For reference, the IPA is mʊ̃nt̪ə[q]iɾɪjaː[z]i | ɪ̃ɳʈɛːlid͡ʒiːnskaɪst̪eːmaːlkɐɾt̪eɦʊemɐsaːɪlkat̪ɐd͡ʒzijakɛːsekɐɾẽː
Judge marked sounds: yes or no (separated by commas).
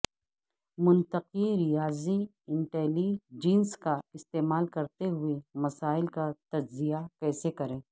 yes, yes